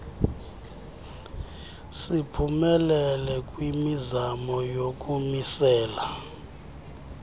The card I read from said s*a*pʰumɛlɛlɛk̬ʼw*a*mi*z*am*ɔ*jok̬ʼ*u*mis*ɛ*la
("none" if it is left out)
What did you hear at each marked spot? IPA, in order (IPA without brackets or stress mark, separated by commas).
i, i, z, ɔ, u, ɛː